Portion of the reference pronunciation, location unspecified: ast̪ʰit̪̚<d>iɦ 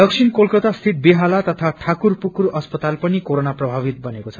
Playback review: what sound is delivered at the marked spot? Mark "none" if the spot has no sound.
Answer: b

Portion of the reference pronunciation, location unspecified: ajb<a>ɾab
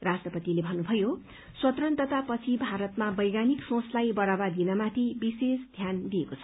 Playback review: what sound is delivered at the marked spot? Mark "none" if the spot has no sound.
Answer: ʌ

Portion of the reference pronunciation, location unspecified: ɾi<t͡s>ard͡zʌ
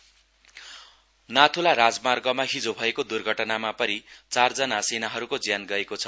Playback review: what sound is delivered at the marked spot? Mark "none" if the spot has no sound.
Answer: t͡s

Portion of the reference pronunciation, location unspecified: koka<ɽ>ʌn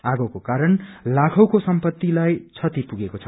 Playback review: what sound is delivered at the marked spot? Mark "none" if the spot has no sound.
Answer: ɾ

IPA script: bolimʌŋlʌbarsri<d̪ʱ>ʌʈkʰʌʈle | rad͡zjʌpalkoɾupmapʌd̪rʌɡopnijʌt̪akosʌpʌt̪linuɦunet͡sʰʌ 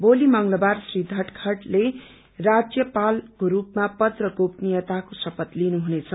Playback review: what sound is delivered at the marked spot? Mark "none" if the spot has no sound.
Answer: d̪ʱ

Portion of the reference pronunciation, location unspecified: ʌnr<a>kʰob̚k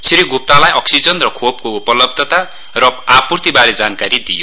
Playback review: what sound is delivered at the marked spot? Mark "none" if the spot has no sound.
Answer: ʌ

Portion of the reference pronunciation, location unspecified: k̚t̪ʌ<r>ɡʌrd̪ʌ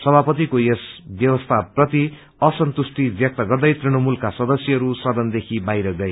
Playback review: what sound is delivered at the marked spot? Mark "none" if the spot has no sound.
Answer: none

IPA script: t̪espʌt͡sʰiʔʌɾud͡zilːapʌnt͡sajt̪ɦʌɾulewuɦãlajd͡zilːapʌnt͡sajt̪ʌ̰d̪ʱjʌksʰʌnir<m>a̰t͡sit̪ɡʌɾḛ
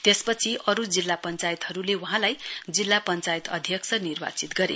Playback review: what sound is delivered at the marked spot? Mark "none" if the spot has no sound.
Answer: b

